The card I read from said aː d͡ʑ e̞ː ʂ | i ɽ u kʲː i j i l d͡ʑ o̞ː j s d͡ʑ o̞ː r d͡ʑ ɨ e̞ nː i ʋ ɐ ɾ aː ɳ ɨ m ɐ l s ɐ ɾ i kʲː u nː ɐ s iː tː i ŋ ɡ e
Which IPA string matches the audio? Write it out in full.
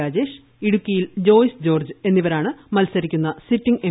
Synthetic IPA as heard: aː d͡ʑ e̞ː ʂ | i ɽ u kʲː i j i l d͡ʑ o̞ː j s d͡ʑ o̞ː r d͡ʑ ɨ e̞ nː i ʋ ɐ ɾ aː ɳ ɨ m ɐ l s ɐ ɾ i kʲː u nː ɐ s i tː i ŋ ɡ e